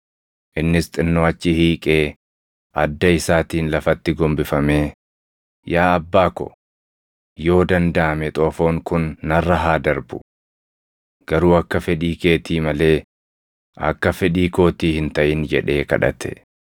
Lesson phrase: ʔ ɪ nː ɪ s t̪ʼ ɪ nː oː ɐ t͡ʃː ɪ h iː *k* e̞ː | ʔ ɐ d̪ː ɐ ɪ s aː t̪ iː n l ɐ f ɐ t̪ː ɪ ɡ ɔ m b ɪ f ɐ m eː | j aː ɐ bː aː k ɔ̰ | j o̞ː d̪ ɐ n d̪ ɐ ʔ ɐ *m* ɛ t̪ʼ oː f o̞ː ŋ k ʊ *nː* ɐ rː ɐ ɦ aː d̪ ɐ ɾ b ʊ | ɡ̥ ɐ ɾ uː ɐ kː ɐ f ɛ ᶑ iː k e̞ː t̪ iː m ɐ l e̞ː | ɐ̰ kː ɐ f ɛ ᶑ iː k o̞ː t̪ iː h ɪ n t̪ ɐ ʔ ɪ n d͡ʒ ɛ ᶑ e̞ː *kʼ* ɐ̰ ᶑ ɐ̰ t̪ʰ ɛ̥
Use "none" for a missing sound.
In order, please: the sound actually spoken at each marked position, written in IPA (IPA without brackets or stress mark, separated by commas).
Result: kʼ, m, nː, k